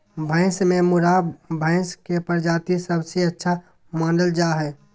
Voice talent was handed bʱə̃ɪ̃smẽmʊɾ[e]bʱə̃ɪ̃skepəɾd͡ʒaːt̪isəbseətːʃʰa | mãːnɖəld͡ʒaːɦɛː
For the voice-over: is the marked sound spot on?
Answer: no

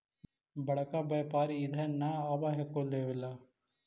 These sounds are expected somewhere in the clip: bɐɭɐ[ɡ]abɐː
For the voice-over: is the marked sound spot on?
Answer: no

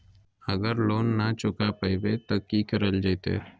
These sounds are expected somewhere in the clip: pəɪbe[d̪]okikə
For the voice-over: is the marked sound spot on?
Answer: no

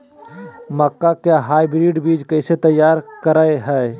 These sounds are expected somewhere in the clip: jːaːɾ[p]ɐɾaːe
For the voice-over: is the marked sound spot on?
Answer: no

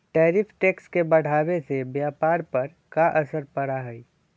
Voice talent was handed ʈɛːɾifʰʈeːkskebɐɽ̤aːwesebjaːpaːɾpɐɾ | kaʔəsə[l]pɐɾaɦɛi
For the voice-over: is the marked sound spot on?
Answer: no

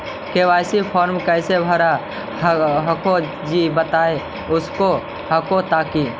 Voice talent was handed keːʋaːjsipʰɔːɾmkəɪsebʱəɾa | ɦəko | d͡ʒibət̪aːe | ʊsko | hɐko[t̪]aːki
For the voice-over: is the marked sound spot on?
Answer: yes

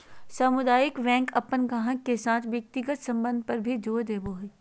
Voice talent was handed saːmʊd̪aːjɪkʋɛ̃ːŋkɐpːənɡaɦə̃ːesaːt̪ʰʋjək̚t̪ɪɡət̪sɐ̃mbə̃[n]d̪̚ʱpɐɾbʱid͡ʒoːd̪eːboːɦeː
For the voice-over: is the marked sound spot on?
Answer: yes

